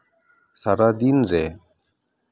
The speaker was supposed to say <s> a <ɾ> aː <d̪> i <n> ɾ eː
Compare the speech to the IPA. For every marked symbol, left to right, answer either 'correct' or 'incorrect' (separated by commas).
correct, correct, correct, correct